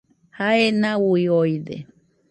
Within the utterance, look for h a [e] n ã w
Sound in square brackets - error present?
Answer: no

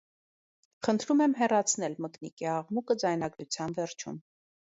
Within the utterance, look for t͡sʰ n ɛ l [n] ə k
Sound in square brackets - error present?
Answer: yes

